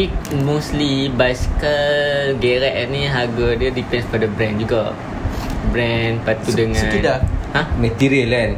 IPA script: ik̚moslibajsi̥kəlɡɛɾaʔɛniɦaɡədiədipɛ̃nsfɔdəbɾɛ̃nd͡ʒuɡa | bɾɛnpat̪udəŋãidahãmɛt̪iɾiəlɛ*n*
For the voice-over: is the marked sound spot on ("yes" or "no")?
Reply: yes